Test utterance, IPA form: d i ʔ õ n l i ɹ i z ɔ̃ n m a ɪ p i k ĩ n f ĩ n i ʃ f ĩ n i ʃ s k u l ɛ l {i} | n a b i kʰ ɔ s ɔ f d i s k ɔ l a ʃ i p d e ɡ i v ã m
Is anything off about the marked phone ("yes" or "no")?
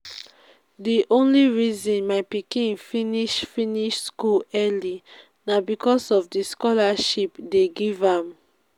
no